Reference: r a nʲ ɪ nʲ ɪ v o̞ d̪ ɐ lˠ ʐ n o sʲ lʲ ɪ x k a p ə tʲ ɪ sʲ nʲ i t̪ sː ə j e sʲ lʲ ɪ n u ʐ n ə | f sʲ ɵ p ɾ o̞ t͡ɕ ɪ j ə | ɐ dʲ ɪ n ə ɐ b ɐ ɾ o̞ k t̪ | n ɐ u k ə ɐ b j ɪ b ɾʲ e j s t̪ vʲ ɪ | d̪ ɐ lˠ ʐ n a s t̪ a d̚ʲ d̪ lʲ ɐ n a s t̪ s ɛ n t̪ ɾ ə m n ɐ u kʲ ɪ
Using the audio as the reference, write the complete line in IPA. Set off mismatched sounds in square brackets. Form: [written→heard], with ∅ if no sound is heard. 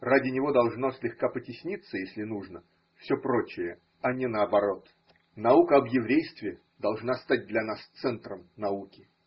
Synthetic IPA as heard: r a [nʲ→dʲ] ɪ nʲ ɪ v o̞ d̪ ɐ lˠ ʐ n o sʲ lʲ ɪ x k a p ə tʲ ɪ sʲ nʲ i t̪ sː ə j e sʲ lʲ ɪ n u ʐ n ə | f sʲ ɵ p ɾ o̞ t͡ɕ ɪ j ə | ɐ [dʲ→nʲ] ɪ n ə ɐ b ɐ ɾ o̞ [k→∅] t̪ | n ɐ u k ə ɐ b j ɪ [b→v] ɾʲ e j s t̪ vʲ ɪ | d̪ ɐ lˠ ʐ n a s t̪ a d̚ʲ d̪ lʲ ɐ n a s t̪ s ɛ n t̪ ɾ ə m n ɐ u kʲ ɪ